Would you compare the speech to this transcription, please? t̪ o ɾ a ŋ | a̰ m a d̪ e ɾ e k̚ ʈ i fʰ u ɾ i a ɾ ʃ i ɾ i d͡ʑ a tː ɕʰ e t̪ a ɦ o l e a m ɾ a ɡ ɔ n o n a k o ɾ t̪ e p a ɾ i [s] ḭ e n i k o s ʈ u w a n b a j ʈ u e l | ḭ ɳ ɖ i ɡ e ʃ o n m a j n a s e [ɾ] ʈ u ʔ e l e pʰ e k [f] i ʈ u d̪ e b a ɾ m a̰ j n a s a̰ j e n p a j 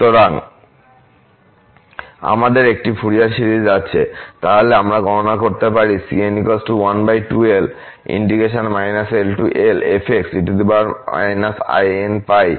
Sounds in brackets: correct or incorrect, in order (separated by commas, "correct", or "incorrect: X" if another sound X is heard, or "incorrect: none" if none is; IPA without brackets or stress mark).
correct, incorrect: l, incorrect: s